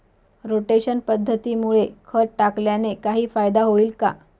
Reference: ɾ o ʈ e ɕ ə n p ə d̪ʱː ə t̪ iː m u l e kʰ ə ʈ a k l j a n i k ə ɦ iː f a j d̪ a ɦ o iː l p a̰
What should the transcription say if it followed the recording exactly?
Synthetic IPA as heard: ɾ o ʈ e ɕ ə n p ə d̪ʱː ə t̪ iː m u ɭ e kʰ ə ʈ a k l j a n e k a ɦ iː f a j d̪ a ɦ o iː l k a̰

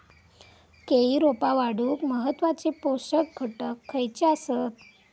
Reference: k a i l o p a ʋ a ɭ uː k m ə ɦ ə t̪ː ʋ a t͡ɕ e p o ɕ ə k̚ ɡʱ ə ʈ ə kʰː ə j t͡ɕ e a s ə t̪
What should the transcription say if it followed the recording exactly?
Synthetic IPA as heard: k e i ɾ o p a ʋ a ɽ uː k m ə ɦ ə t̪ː ʋ a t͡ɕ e p o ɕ ə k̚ ɡʱ ə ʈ ə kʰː ə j t͡ɕ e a s ə t̪

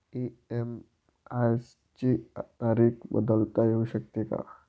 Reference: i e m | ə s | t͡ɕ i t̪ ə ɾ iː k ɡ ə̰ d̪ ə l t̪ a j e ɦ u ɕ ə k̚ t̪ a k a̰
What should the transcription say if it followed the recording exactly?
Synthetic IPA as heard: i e m | a s | t͡ɕ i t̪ a ɾ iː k b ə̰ d̪ ə l t̪ a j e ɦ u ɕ ə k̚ t̪ e k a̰

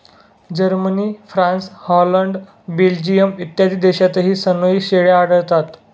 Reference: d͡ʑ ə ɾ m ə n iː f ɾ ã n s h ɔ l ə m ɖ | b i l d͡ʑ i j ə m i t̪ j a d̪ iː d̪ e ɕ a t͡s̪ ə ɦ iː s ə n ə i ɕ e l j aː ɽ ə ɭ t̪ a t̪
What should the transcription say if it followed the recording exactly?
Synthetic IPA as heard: d͡ʑ ə ɾ m ə n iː f ɾ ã n s h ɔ l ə ɳ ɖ | b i l d͡ʑ i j ə m i t̪ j a d̪ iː d̪ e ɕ a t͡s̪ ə ɦ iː s ə n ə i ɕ e ɭ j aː ɽ ə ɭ t̪ a t̪

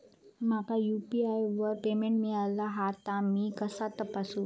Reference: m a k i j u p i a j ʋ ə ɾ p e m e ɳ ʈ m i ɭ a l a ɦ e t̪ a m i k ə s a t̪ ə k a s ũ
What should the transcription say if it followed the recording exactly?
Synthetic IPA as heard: m a k a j u p i a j ʋ ə ɾ p e m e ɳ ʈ m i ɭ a l a ɦ a t̪ a m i k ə s a t̪ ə p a s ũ

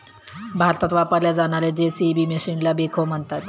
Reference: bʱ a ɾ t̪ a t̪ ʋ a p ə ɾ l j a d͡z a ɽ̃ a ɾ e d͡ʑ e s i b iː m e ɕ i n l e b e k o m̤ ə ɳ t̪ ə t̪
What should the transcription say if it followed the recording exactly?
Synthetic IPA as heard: bʱ a ɾ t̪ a t̪ ʋ a p ə ɾ l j a d͡z a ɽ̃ a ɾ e d͡ʑ e s i b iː m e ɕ i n l a b e kʰ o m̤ ə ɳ t̪ a t̪

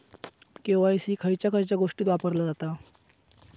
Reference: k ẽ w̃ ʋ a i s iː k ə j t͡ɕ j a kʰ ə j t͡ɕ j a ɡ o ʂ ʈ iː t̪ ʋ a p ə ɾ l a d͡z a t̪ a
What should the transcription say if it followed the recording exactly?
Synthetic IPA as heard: k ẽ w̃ ʋ a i s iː kʰ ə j t͡ɕ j a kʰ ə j t͡ɕ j a ɡ o ʂ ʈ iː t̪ ʋ a p ə ɾ l a d͡z a t̪ a

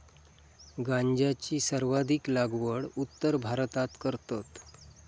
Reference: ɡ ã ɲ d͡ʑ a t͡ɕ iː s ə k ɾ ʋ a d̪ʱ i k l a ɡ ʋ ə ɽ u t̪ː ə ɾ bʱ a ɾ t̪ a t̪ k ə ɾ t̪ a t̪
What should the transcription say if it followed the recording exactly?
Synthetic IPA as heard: ɡ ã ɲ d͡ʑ a t͡ɕ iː s ə ɾ ʋ a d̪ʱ i k l a ɡ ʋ ə ɽ u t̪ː ə ɾ bʱ a ɾ t̪ a t̪ k ə ɾ t̪ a t̪

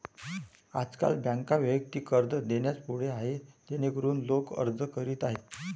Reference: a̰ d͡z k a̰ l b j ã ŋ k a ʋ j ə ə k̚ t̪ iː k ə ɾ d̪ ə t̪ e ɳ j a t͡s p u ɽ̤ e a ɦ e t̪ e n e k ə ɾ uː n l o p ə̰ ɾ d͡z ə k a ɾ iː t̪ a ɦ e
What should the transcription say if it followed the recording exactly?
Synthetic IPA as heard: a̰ d͡z k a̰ l b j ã ŋ k a ʋ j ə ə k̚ t̪ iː k ə ɾ d̪ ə d̪ e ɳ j a t͡s p u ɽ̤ e a ɦ e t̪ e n e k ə ɾ uː n l o k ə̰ ɾ d͡z ə k ə ɾ iː t̪ a ɦ e

